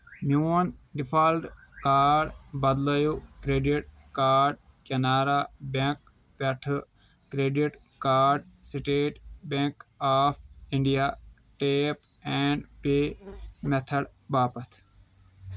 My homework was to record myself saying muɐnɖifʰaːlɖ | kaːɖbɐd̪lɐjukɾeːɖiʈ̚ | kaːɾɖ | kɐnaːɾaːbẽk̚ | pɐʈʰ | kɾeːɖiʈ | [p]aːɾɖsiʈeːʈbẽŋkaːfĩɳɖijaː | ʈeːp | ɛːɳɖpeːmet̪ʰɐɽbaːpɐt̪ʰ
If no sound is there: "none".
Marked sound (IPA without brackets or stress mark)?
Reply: k